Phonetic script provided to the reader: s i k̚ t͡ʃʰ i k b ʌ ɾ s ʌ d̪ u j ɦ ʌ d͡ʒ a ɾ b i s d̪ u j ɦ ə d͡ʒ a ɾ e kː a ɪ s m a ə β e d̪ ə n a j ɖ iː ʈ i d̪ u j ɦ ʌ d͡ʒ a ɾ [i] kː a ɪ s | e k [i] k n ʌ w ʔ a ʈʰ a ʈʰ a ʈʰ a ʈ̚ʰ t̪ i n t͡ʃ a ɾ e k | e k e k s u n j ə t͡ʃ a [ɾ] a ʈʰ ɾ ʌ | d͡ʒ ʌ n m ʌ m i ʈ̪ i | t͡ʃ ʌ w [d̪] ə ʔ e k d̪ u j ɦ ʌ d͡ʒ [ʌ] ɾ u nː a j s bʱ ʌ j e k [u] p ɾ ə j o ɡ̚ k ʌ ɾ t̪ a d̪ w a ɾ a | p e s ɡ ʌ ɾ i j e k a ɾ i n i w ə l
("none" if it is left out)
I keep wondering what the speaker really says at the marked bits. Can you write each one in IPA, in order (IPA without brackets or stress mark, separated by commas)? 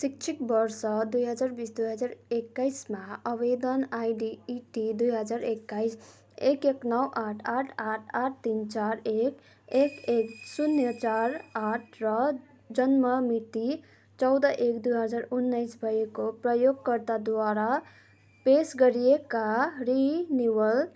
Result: e, e, ɾ, d̪, a, o